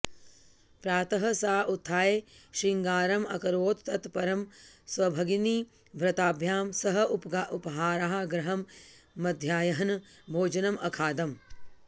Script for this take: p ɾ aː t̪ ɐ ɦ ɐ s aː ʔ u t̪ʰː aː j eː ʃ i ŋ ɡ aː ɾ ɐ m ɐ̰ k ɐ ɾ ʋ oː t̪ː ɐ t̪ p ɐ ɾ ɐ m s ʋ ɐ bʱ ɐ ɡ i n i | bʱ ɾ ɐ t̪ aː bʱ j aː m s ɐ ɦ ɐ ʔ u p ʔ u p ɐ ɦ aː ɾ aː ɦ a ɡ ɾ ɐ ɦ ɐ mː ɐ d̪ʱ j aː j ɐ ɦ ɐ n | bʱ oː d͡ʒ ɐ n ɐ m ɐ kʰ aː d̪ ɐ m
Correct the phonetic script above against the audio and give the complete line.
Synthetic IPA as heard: p ɾ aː t̪ ɐ ɦ ɐ s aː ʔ u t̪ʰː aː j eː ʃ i ŋ ɡ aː ɾ ɐ m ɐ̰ k ɐ ɾ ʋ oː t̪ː ɐ t̪ p ɐ ɾ ɐ m s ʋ ɐ bʱ ɐ ɡ i n i | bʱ ɾ ɐ t̪ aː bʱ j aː m s ɐ ɦ ɐ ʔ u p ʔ u p ɐ ɦ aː ɾ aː ɦ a ɡ ɾ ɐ ɦ ɐ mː ɐ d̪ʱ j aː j ɐ ɦ ɐ n | bʱ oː d͡ʒ ɐ n ɐ m ɐ kʰ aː d̪ ɐ m